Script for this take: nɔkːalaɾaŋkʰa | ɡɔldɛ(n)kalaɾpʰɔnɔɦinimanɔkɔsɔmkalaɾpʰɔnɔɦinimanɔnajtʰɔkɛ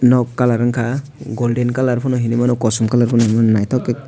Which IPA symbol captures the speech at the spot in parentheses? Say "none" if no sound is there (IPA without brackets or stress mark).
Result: n